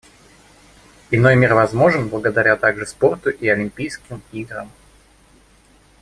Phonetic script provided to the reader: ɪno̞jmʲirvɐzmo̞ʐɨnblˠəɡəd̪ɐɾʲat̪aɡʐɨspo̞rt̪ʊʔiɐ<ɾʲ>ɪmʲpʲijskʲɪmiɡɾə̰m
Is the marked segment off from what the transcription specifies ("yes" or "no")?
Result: yes